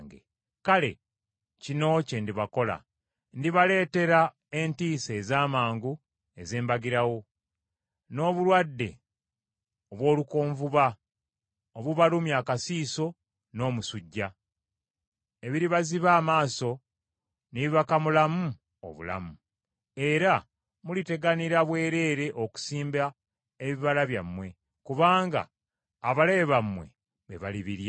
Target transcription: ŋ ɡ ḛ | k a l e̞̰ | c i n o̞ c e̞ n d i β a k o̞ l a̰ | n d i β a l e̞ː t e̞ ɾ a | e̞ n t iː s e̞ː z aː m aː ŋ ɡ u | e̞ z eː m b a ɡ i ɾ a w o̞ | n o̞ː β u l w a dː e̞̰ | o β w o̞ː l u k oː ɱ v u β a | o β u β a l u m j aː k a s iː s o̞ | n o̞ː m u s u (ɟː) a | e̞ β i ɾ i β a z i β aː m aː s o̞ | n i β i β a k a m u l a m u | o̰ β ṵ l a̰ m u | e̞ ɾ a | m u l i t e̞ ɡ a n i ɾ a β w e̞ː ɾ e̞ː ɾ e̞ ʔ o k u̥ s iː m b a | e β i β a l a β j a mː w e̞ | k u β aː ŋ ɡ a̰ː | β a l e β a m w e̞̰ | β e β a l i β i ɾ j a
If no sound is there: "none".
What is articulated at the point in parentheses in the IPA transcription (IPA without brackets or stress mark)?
ɟː